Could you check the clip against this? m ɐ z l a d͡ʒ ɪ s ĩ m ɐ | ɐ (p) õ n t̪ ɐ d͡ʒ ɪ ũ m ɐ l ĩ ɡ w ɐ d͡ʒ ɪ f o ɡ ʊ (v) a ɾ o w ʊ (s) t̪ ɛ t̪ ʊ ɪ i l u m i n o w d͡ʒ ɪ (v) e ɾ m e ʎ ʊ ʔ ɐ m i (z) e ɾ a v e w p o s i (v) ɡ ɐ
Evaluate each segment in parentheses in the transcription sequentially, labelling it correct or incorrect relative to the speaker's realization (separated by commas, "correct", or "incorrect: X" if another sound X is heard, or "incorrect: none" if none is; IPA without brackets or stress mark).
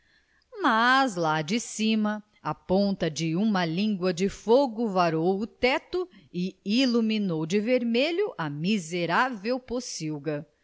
correct, correct, incorrect: none, correct, correct, incorrect: w